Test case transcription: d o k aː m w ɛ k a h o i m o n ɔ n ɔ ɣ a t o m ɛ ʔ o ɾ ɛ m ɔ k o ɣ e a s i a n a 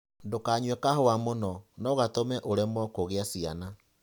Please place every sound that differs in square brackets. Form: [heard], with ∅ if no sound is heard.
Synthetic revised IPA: d o k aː [ɲ] w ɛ k a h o [a] m o n ɔ n ɔ ɣ a t o m ɛ ʔ o ɾ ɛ m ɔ k o ɣ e a s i a n a